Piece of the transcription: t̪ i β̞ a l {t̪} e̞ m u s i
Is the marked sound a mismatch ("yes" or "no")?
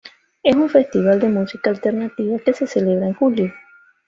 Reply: yes